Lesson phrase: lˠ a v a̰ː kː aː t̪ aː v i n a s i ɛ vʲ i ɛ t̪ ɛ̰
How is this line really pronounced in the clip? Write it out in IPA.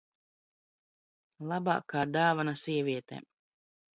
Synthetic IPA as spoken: lˠ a b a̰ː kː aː d̪ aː v a n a s i ɛ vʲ i ɛ t̪ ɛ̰